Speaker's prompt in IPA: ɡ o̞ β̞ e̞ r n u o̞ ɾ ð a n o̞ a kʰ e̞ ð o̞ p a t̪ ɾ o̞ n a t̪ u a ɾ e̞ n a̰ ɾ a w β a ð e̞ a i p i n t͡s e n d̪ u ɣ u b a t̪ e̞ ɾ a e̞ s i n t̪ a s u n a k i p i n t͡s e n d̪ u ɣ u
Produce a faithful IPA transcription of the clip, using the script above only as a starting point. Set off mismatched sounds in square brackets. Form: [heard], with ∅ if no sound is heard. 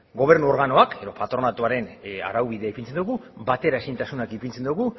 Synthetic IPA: ɡ o̞ β̞ e̞ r n u o̞ ɾ [ɣ] a n o̞ a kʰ e̞ ð o̞ p a t̪ ɾ o̞ n a t̪ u a ɾ e̞ n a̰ ɾ a w β [i] ð e̞ a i p i n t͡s e n d̪ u ɣ u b a t̪ e̞ ɾ a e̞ s i n t̪ a s u n a k i p i n t͡s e n d̪ u ɣ u